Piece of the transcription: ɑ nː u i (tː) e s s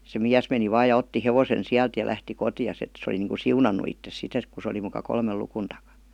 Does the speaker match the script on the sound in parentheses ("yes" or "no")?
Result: yes